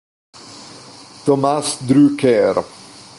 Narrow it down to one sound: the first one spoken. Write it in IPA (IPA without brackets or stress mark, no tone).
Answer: t̪